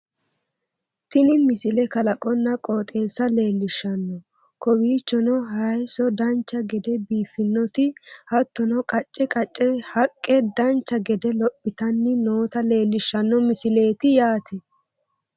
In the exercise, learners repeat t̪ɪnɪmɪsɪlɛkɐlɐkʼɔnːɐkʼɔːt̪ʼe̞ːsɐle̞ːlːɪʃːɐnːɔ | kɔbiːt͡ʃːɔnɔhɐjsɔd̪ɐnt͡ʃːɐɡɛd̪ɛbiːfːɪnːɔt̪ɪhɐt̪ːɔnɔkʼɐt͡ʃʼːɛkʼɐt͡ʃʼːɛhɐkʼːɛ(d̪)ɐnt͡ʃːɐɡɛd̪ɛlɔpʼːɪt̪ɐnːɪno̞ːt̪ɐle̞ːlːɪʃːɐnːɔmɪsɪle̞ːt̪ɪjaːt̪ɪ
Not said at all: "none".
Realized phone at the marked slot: d̪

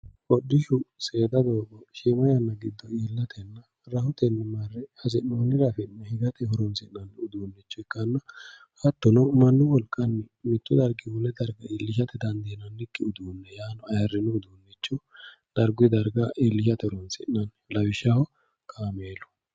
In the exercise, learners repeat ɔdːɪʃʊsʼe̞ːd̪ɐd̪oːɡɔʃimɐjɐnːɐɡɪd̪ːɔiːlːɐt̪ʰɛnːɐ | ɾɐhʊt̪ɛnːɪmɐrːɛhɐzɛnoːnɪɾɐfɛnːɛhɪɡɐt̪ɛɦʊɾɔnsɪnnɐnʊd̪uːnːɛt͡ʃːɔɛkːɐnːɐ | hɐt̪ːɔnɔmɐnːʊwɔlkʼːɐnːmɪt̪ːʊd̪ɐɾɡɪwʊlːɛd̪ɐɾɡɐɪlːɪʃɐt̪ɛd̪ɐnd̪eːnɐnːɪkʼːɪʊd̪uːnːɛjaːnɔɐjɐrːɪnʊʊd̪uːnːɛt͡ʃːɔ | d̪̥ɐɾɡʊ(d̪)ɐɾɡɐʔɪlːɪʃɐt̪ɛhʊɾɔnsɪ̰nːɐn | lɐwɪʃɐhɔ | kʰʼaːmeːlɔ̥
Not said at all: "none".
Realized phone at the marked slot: d̪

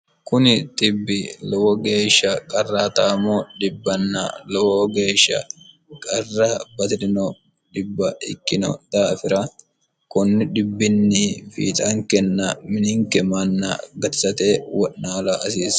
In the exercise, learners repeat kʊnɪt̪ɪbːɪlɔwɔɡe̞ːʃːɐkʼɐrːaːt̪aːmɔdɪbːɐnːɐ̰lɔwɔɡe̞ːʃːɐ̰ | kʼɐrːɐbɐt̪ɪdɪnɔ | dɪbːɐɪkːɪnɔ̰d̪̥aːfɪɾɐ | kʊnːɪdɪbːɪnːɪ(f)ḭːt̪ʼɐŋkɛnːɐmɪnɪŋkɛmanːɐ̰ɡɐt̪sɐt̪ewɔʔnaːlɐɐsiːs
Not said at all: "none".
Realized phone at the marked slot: f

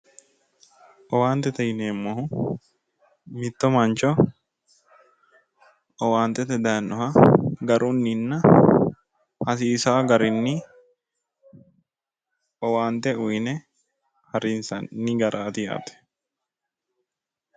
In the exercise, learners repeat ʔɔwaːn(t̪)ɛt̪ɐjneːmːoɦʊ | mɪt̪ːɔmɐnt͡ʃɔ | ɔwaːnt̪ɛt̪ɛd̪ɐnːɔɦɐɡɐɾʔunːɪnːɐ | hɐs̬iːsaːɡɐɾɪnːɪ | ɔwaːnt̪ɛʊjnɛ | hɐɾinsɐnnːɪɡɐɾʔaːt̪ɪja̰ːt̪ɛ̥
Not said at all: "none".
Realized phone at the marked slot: t̪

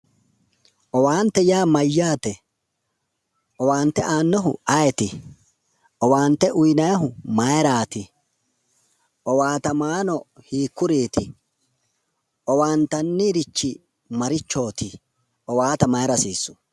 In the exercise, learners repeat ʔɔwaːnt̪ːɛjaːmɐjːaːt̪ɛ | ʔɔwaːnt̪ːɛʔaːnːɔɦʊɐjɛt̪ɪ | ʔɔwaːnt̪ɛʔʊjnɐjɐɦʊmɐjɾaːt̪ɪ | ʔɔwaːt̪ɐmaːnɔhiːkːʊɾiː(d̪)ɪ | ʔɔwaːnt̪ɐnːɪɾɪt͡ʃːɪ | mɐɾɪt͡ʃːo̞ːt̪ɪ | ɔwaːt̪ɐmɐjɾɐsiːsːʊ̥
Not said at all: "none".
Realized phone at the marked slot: t̪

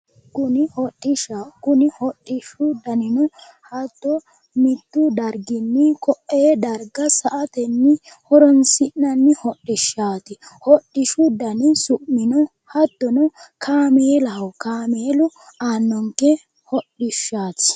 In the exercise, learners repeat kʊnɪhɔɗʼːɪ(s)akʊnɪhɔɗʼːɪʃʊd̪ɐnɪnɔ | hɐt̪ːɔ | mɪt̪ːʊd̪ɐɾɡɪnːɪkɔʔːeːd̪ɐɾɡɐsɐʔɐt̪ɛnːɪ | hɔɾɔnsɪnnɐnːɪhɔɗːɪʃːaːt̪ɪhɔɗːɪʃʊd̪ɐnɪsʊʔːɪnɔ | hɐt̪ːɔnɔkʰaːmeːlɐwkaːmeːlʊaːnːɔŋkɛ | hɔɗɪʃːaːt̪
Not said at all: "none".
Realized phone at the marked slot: ʃ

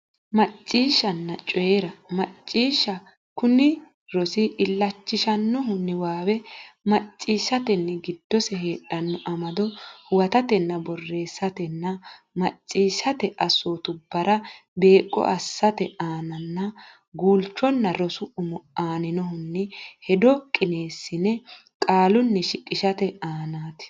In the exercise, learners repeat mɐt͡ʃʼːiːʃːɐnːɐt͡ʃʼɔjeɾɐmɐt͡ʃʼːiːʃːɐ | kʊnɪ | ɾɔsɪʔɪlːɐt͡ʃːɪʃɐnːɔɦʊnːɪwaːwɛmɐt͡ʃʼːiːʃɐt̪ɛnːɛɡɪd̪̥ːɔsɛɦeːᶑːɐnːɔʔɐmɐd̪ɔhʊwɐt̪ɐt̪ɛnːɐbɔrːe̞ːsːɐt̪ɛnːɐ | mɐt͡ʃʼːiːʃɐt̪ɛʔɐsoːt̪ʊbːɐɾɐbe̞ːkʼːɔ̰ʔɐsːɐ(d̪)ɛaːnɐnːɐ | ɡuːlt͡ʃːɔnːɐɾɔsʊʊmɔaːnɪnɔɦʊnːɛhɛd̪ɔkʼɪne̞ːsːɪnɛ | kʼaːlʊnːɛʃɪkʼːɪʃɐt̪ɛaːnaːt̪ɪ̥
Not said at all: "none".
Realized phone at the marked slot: t̪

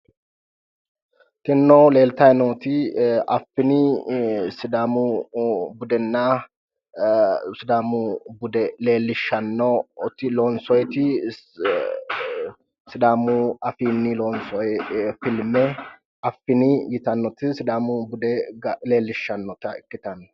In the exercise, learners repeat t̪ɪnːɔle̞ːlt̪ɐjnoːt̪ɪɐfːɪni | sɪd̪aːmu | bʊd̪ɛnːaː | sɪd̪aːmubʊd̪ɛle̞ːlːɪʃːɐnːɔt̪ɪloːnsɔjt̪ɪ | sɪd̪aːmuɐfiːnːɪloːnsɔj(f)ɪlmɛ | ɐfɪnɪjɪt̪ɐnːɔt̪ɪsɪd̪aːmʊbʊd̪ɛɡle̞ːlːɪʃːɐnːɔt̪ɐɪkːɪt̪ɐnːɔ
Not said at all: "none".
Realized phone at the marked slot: f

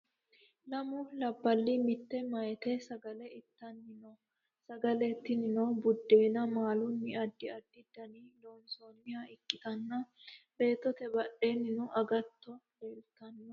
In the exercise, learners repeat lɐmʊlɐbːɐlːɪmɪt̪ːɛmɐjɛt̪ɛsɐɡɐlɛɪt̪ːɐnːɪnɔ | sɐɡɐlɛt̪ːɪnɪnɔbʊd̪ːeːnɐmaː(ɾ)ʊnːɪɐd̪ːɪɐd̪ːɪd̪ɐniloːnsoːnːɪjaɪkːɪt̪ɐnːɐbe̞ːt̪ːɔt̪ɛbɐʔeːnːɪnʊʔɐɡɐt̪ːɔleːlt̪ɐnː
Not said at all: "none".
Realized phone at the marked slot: l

